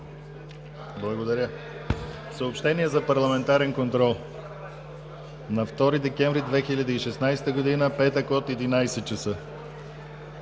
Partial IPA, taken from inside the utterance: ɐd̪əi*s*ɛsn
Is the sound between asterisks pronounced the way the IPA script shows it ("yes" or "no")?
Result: no